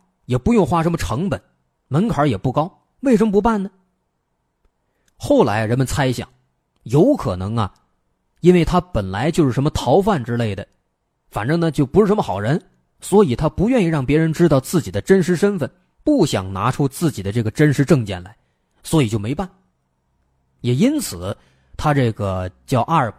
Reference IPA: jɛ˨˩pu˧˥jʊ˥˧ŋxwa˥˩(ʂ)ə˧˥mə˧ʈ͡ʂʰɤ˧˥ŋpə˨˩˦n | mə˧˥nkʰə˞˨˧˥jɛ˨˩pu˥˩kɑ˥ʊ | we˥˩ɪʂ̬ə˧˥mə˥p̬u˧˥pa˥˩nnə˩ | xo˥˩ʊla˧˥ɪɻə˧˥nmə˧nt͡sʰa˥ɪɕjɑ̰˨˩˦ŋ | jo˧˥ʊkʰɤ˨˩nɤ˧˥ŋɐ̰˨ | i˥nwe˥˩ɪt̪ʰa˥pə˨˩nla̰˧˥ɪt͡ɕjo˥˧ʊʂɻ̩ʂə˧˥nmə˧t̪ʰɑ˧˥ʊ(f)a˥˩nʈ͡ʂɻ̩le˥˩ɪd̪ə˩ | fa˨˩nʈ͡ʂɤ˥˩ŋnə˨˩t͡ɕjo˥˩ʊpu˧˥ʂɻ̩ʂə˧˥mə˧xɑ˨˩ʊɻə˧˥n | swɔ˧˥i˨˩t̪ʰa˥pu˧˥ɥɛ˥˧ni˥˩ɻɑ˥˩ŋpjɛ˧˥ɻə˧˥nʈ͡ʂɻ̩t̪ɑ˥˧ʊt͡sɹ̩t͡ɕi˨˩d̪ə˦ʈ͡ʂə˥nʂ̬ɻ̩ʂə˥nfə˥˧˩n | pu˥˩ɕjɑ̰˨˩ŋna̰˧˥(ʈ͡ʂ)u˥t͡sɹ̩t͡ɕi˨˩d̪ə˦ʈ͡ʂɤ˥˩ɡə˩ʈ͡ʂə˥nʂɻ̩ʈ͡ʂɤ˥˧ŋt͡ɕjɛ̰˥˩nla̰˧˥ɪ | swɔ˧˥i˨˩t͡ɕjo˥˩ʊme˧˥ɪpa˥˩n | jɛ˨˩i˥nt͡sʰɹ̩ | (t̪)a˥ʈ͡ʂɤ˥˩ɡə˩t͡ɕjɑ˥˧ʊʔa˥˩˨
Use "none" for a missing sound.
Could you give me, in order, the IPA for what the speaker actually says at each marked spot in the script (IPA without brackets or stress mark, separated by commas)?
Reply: ʂ, f, ʈ͡ʂʰ, t̪ʰ